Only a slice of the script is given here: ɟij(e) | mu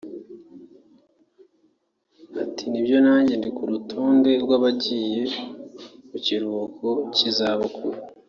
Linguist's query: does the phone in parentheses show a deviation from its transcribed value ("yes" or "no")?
no